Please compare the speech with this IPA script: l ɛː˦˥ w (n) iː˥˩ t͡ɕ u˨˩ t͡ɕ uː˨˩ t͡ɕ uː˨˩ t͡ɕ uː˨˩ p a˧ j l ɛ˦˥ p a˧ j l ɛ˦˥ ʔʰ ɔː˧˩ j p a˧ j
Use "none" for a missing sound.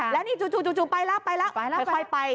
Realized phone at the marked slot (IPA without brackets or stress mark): n